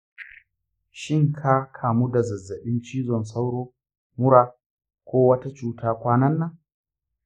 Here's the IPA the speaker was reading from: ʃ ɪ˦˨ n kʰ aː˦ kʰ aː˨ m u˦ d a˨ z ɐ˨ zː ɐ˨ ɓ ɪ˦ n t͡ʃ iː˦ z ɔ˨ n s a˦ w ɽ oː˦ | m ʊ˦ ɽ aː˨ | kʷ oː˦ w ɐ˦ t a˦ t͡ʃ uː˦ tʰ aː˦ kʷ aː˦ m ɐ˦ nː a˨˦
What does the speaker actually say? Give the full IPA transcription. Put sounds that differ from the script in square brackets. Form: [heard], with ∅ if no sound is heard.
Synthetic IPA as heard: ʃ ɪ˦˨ [ŋ] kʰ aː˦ kʰ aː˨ m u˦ d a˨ z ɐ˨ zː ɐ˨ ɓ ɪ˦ n t͡ʃ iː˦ z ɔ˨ n s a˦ w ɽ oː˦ | m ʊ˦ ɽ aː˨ | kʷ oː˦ w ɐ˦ t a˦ t͡ʃ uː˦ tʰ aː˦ kʷ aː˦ [n] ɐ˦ nː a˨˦